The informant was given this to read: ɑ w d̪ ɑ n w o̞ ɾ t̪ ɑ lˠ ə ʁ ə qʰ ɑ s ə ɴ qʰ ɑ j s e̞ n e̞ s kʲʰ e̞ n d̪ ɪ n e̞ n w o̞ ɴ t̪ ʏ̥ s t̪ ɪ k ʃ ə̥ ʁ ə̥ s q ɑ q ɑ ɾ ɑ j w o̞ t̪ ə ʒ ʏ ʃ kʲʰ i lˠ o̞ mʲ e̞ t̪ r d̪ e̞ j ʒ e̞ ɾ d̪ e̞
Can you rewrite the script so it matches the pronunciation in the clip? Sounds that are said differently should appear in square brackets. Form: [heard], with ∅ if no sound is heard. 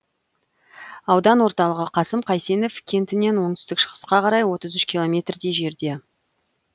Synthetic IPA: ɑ w d̪ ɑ n w o̞ ɾ t̪ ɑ lˠ ə ʁ ə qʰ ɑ s ə [m] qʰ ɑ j s e̞ n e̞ [f] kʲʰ e̞ n [t̪] ɪ n e̞ n w o̞ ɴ t̪ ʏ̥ s t̪ ɪ k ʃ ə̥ ʁ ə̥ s q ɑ q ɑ ɾ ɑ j w o̞ t̪ ə [z] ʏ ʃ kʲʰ i lˠ o̞ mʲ e̞ t̪ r d̪ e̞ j ʒ e̞ ɾ d̪ e̞

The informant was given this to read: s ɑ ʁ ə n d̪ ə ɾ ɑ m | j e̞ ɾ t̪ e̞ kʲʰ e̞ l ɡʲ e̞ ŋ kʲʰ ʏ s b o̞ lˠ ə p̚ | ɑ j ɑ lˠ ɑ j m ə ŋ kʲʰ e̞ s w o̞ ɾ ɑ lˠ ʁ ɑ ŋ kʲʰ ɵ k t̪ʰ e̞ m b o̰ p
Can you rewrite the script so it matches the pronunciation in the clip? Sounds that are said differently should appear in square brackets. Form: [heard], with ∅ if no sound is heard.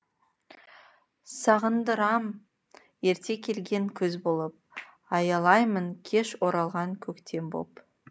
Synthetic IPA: s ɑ ʁ ə n d̪ ə ɾ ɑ m | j e̞ ɾ t̪ e̞ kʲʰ e̞ l ɡʲ e̞ ŋ kʲʰ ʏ [z] b o̞ lˠ ə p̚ | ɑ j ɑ lˠ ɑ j m ə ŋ kʲʰ e̞ [ʃ] w o̞ ɾ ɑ lˠ ʁ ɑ ŋ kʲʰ ɵ k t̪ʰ e̞ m b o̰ p

